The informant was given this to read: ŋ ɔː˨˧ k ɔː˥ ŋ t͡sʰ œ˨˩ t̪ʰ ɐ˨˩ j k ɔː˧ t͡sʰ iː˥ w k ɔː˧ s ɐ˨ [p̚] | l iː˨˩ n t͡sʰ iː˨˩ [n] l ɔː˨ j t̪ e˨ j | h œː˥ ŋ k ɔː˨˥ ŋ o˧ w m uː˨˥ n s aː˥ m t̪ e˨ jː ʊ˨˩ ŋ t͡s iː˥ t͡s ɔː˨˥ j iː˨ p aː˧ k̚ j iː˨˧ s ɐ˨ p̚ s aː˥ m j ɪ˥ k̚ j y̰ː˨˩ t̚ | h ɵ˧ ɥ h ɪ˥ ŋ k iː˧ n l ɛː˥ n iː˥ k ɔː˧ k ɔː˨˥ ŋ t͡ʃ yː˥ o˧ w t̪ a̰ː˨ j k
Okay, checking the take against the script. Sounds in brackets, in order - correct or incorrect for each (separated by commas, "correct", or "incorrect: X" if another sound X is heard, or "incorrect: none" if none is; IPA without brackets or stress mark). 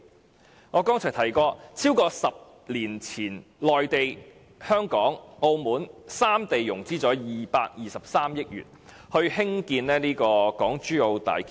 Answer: correct, correct